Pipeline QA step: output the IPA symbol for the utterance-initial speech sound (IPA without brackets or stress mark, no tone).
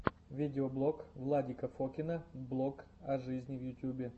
vʲ